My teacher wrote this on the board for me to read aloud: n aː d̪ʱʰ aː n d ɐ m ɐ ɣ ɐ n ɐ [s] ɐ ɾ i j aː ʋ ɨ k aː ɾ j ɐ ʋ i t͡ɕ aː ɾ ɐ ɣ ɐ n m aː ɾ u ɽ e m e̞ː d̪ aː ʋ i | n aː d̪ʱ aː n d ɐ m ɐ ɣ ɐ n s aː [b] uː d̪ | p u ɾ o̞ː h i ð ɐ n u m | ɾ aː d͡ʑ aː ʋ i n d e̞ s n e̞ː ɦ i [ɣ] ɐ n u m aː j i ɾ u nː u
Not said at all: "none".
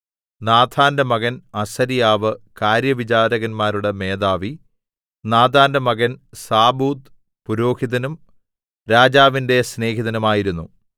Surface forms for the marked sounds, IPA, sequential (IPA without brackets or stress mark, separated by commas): s, b, ð